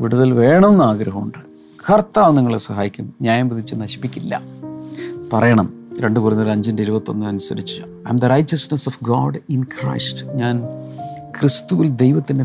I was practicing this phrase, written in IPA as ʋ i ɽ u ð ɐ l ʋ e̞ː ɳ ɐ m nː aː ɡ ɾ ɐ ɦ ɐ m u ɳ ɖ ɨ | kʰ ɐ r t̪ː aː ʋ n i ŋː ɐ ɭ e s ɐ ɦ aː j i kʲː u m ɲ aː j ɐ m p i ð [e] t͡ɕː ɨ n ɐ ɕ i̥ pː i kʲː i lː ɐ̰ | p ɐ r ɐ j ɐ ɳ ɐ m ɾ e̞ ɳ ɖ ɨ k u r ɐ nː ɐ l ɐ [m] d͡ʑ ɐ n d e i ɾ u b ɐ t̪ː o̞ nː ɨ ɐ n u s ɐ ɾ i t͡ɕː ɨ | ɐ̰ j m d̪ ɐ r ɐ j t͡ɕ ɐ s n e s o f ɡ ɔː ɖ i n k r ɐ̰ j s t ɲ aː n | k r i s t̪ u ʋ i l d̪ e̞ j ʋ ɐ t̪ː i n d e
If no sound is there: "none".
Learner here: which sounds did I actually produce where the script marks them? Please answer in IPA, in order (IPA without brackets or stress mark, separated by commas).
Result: i, ɲ